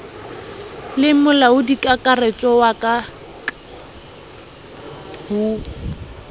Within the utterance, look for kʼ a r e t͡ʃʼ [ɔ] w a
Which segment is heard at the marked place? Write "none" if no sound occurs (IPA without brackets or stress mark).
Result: ɔ